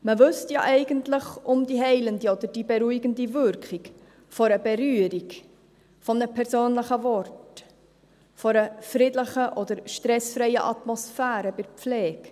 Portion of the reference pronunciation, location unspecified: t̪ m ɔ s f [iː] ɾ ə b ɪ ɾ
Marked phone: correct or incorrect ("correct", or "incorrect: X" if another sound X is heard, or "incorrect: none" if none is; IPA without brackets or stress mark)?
incorrect: æː